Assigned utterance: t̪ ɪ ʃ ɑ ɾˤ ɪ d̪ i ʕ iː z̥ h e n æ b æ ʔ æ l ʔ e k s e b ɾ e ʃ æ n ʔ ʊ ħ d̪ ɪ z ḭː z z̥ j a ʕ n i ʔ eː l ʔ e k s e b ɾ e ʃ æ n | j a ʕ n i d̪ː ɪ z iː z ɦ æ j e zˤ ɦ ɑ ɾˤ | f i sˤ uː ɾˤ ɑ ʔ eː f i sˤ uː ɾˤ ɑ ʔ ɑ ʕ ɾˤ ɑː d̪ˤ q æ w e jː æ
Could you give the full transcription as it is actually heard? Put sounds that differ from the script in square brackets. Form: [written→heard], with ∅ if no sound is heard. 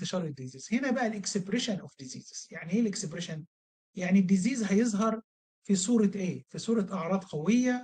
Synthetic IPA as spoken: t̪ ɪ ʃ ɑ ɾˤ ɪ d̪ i [ʕ→z] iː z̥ h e n æ b æ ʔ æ l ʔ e k s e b ɾ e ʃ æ n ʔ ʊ [ħ→f] d̪ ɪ z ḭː z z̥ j a ʕ n i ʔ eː l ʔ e k s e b ɾ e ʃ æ n | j a ʕ n i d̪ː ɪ z iː z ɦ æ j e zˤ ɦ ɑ ɾˤ | f i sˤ uː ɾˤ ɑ ʔ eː f i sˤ uː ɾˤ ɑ ʔ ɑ ʕ ɾˤ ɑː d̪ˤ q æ w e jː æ